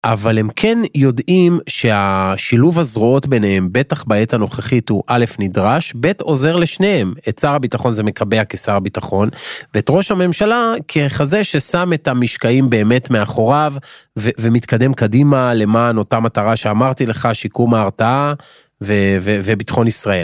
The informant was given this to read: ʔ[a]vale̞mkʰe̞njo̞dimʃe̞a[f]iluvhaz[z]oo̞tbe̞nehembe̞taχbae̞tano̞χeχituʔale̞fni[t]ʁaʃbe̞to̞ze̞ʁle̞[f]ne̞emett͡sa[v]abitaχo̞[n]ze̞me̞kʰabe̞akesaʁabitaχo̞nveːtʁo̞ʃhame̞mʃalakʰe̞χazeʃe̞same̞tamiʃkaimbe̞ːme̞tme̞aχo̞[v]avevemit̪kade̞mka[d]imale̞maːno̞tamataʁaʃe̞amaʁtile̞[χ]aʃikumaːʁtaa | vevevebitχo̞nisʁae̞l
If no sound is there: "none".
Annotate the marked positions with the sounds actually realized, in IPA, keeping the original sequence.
a, ʃ, ʁ, d, ʃ, ʁ, n, ʁ, d, χ

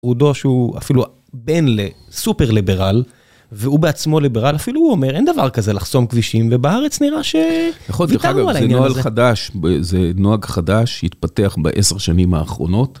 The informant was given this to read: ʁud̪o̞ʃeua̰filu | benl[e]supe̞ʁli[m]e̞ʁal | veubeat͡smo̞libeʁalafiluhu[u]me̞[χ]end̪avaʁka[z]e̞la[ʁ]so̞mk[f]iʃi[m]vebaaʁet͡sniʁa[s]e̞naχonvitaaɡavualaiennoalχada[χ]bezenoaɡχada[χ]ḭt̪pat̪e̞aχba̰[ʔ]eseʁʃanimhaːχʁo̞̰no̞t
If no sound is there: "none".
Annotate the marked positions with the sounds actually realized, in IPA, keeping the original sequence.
e, b, o, ʁ, z, χ, v, m, ʃ, ʃ, ʃ, ʔ

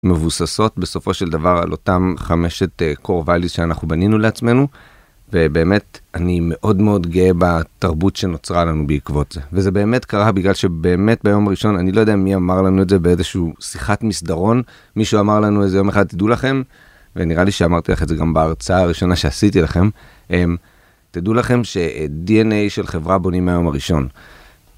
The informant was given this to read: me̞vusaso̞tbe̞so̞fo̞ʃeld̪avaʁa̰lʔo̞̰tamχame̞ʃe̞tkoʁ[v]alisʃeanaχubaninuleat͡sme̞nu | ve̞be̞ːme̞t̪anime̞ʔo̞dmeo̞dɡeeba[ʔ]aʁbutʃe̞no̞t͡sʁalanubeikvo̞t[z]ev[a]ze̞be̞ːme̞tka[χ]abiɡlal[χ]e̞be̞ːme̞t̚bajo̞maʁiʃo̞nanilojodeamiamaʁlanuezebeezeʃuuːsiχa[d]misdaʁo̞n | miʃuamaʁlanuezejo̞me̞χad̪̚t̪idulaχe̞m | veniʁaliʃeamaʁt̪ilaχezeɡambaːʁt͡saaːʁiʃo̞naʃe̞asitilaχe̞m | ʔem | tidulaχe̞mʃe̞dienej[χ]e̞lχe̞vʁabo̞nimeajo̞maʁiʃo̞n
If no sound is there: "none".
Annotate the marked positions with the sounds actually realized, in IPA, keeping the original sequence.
v, t, z, e, ʁ, ʃ, t, ʃ

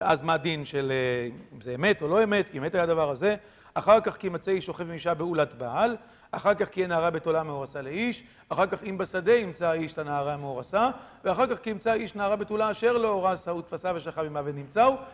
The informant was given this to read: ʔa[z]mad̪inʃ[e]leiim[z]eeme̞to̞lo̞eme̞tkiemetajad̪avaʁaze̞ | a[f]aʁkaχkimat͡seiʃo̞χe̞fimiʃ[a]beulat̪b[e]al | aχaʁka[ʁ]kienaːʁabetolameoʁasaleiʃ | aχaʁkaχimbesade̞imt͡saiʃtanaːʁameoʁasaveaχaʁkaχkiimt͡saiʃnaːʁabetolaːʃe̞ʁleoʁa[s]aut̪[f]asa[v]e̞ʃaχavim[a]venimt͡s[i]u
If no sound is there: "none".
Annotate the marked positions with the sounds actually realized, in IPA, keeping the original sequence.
z, e, z, χ, a, a, χ, s, f, v, a, a

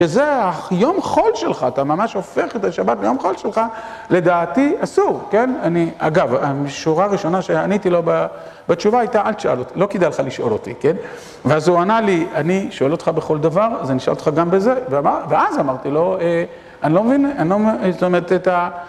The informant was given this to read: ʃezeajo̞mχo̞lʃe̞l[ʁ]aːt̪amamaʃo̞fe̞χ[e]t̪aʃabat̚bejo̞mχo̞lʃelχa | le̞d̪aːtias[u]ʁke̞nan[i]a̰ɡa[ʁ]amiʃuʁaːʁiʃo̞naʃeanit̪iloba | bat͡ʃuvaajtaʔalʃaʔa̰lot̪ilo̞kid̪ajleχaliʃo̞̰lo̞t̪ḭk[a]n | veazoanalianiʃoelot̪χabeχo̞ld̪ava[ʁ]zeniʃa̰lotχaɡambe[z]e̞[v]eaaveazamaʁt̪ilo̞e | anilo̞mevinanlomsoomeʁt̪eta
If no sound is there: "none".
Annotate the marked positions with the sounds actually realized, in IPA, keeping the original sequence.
χ, e, u, i, v, e, ʁ, z, v

